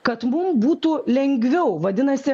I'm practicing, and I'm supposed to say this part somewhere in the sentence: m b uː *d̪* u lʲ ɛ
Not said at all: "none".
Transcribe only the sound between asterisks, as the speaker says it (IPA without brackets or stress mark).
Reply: t̪